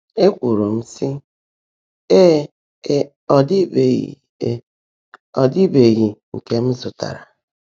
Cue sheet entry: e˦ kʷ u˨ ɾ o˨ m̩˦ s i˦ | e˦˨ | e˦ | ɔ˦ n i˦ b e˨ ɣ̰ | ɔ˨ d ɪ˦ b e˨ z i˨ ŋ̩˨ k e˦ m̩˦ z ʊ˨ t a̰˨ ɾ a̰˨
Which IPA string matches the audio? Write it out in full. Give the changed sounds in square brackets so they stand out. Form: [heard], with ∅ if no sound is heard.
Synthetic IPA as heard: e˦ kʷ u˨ ɾ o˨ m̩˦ s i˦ | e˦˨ | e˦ | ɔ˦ [d] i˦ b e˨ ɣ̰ | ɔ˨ d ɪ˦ b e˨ [ɣ] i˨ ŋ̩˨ k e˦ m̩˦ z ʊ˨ t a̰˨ ɾ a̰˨